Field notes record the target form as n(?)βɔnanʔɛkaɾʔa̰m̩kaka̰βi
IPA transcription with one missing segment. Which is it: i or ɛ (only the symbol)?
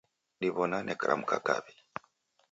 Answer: i